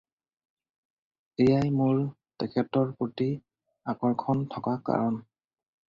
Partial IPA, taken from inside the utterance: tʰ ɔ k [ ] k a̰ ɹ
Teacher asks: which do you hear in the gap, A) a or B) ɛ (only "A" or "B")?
A